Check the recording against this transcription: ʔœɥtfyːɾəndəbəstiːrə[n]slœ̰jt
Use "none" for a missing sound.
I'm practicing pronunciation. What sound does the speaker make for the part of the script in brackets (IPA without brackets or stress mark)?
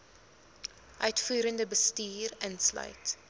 n